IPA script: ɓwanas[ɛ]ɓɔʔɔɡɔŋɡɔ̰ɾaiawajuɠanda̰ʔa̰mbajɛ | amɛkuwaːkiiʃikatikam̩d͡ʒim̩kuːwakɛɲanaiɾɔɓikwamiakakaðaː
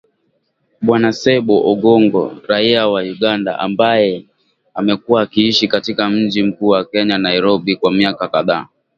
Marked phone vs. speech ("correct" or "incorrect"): correct